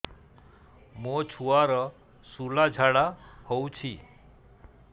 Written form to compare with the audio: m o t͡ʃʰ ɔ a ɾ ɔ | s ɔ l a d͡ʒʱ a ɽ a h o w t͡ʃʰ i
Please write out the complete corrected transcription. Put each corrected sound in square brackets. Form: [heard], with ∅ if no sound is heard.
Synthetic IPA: m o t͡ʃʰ [u] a ɾ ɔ | s [u] l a d͡ʒʱ a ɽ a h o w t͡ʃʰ i